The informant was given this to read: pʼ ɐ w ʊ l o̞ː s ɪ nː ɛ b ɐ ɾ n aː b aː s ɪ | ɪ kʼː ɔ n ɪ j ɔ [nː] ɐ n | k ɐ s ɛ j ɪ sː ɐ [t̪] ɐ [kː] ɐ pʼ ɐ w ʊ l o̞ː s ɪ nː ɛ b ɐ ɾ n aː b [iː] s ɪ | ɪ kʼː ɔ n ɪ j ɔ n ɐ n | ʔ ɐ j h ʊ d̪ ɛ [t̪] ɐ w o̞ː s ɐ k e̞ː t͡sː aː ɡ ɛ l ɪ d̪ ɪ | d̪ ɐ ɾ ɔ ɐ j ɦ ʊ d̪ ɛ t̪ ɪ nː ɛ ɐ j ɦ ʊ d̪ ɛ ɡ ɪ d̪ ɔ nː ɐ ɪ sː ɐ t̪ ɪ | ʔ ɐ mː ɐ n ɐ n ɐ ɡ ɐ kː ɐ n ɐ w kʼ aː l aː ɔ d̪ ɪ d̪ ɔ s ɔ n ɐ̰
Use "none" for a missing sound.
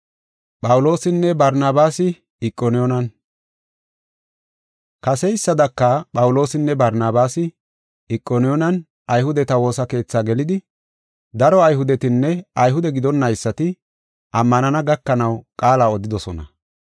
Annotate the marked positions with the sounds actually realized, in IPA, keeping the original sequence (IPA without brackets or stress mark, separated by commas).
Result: n, d̪, kː, aː, t̪